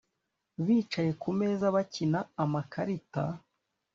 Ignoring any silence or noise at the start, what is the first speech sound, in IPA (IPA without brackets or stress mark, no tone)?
β